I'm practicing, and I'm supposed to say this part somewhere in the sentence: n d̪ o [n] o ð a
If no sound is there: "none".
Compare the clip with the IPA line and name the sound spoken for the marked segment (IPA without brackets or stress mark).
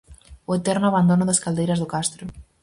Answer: n